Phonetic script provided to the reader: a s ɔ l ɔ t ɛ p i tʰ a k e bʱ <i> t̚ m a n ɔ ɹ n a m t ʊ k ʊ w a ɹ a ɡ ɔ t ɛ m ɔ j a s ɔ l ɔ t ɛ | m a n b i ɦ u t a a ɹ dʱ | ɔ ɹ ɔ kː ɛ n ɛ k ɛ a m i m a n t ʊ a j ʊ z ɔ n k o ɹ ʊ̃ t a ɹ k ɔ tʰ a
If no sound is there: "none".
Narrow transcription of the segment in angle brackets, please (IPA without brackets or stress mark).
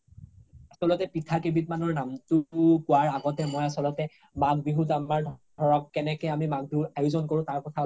i